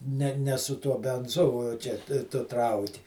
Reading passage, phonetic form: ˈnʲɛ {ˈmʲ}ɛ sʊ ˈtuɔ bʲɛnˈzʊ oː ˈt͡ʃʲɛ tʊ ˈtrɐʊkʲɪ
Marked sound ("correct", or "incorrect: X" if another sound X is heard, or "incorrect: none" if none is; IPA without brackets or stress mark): incorrect: nʲ